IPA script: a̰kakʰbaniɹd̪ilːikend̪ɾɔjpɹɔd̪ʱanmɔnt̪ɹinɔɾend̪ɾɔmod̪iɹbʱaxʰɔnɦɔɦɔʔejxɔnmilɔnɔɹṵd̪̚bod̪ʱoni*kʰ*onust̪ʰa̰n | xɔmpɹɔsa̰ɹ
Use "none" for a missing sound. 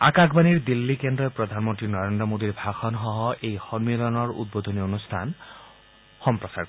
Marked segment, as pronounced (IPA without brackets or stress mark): none